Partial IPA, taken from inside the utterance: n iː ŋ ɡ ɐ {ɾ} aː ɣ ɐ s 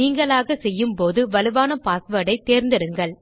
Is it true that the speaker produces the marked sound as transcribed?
no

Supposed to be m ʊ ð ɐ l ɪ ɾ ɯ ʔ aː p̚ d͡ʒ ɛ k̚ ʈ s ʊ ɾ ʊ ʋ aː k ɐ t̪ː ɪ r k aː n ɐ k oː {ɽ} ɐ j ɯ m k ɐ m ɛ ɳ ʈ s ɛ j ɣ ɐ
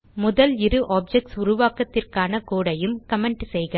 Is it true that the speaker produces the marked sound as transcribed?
yes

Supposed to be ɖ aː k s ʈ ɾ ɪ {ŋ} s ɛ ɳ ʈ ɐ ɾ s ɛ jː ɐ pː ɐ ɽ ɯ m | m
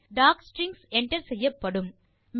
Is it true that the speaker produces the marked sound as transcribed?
yes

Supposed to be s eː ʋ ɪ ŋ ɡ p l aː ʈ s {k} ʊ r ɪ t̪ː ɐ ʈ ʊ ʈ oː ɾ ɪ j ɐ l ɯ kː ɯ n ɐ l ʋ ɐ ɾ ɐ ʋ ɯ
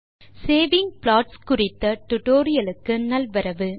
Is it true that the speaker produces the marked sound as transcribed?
yes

